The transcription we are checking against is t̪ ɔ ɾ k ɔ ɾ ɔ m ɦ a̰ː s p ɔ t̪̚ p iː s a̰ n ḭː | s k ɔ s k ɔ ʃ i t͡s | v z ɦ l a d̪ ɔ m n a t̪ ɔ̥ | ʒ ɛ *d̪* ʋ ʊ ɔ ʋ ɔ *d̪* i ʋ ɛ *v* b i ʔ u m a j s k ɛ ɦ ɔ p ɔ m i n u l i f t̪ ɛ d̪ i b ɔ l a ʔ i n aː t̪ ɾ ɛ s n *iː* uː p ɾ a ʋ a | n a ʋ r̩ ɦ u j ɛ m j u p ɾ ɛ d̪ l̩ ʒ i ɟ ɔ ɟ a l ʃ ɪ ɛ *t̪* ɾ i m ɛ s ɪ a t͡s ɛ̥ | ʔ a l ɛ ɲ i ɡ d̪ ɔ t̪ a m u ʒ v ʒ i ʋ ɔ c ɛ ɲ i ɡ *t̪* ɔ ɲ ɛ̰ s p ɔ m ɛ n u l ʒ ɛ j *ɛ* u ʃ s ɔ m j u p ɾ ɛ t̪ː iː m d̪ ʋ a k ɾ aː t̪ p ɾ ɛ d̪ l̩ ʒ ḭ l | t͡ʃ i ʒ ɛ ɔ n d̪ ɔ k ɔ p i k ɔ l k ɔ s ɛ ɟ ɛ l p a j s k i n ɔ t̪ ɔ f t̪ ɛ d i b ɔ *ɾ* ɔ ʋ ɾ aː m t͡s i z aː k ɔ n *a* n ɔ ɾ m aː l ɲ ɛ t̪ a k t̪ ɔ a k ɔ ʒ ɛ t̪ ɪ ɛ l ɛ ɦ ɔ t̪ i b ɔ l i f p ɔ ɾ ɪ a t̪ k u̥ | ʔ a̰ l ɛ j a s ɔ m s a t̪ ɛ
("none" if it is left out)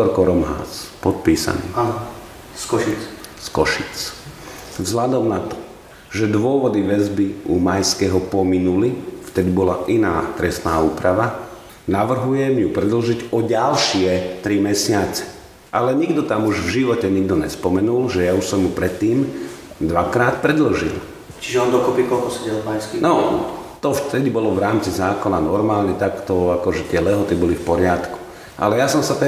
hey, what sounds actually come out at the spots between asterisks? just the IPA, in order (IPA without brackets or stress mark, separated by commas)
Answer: d̪, d̪, z, aː, t̪, d̪, a, l, a